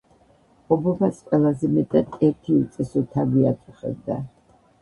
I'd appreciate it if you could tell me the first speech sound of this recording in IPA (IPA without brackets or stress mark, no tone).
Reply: ɔ